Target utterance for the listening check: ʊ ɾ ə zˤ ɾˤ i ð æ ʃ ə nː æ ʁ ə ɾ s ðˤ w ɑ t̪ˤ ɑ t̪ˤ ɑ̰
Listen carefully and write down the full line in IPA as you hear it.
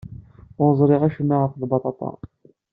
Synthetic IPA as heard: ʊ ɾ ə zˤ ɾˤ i ʁ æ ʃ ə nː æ ʁ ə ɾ f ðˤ b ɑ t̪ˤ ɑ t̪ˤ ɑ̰